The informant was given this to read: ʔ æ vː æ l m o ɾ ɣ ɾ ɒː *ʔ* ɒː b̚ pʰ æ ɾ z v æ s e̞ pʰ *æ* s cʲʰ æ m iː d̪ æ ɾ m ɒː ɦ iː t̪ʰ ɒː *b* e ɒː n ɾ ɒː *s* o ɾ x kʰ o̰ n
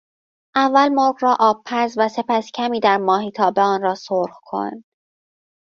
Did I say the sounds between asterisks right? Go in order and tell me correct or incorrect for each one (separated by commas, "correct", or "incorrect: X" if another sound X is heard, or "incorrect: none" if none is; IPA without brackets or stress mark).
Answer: correct, correct, correct, correct